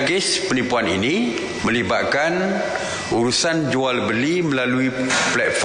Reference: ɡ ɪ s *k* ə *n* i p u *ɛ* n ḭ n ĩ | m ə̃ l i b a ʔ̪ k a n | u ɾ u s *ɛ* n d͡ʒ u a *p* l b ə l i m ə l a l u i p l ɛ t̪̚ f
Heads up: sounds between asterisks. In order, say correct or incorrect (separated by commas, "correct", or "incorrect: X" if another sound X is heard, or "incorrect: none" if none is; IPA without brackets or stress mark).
incorrect: p, correct, incorrect: a, incorrect: a, incorrect: none